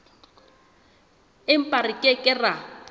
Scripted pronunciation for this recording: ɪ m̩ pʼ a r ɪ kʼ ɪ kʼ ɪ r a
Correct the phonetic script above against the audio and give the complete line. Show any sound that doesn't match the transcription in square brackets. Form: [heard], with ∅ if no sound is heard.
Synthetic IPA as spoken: ɪ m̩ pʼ a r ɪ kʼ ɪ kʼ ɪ r a